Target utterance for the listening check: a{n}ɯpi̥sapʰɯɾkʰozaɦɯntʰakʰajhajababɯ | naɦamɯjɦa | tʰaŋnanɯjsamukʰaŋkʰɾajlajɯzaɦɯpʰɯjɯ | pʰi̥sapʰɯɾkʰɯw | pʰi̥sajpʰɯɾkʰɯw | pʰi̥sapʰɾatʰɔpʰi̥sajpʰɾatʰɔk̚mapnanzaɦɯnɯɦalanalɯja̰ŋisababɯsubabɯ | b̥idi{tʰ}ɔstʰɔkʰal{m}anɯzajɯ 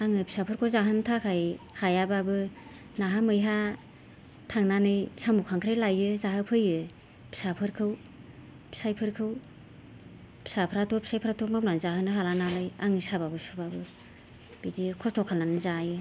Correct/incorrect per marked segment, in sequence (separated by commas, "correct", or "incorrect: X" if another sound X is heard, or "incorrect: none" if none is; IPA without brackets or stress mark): incorrect: ŋ, incorrect: kʰ, incorrect: n